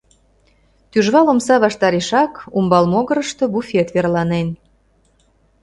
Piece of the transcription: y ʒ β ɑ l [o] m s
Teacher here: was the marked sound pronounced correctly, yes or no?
yes